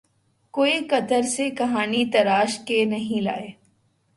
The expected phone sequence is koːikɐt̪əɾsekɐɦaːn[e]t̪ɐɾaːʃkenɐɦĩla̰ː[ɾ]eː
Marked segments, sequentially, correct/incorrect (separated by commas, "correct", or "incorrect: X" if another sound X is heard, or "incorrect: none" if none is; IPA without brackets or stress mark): incorrect: i, incorrect: none